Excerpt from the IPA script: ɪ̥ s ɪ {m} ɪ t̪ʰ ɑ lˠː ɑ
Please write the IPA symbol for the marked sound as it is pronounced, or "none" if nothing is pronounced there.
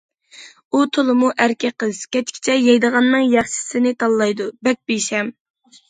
n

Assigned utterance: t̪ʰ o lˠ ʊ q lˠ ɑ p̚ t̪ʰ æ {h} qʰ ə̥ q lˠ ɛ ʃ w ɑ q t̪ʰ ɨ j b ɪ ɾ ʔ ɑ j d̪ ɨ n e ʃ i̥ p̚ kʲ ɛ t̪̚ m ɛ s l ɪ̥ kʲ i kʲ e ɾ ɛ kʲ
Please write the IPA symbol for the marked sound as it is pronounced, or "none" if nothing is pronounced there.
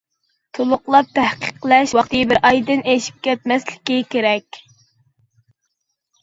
h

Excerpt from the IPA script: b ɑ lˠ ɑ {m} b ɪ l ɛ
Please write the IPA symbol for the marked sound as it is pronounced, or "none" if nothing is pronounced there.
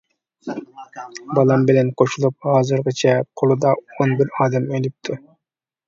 m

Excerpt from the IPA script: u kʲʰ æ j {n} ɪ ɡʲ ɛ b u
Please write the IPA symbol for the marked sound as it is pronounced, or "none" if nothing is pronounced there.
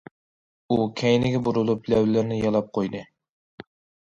n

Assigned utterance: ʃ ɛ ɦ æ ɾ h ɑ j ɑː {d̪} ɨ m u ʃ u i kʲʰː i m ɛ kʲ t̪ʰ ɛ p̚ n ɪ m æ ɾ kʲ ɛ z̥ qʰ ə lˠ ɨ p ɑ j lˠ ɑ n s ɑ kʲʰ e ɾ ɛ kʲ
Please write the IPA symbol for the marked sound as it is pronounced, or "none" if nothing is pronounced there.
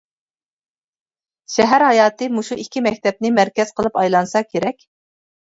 t̪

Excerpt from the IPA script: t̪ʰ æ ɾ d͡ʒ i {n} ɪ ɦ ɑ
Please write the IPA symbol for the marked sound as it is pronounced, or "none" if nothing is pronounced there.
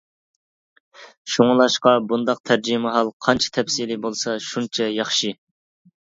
m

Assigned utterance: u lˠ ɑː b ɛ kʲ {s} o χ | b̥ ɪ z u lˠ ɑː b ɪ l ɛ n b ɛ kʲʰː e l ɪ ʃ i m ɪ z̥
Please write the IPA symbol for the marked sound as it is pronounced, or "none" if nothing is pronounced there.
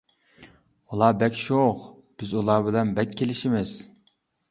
ʃ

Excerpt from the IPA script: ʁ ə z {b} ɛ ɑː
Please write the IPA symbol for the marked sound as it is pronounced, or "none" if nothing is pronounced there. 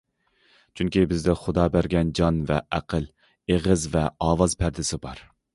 v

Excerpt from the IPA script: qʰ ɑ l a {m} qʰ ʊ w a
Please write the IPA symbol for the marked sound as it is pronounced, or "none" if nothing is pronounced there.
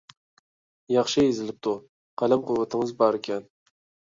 m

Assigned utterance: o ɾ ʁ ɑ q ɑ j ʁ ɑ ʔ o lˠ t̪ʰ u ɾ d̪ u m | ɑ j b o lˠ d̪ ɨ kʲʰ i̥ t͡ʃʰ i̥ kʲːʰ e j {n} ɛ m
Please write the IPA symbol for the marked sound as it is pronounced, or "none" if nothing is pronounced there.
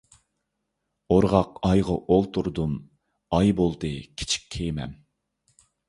m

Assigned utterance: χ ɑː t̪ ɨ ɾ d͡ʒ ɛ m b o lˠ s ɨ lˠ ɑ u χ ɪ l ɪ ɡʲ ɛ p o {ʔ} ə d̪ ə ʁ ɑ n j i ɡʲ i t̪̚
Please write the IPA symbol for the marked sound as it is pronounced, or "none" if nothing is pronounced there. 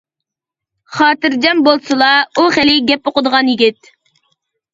q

